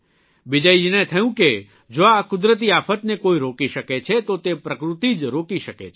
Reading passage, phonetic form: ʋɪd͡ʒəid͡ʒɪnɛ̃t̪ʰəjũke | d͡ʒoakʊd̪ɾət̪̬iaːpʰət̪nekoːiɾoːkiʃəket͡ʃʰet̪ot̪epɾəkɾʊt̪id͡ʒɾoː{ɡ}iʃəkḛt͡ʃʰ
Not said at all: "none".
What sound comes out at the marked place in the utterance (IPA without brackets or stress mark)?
k